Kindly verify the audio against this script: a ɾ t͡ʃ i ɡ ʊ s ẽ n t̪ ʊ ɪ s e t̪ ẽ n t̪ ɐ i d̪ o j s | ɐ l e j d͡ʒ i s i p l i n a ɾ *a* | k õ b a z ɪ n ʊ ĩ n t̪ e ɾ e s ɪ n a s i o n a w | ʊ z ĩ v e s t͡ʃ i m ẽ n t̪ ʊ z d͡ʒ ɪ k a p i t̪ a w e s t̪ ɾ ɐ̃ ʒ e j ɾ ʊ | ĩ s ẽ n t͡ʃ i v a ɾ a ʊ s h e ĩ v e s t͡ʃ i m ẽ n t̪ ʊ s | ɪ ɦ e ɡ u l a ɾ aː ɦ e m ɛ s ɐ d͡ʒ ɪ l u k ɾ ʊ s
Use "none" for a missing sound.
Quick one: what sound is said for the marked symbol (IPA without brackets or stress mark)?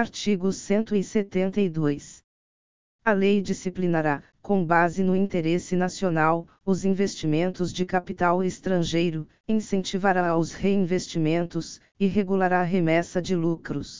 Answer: a